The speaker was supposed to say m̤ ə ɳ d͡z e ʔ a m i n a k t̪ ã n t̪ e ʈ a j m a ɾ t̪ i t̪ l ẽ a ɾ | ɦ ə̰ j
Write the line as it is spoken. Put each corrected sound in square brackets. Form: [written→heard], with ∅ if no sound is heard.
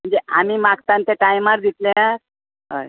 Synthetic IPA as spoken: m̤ ə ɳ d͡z e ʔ a m i [n→m] a k t̪ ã n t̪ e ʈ a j m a ɾ [t̪→d̪] i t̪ l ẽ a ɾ | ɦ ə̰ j